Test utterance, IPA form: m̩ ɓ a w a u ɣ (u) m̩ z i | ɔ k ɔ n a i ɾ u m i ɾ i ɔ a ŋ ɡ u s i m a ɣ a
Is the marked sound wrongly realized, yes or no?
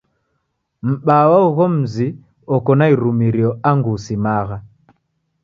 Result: yes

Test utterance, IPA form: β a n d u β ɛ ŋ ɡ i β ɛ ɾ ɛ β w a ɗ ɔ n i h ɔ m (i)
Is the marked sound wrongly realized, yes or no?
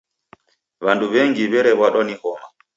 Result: yes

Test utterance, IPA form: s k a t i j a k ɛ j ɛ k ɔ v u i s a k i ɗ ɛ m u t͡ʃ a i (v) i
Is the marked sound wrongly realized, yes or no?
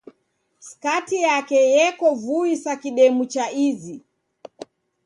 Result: yes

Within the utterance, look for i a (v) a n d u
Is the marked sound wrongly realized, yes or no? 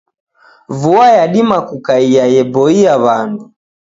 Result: yes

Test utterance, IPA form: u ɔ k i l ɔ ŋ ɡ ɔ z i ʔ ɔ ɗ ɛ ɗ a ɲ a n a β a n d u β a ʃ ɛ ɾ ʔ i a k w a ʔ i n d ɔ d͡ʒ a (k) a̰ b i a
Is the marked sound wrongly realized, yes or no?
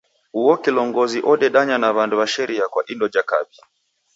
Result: no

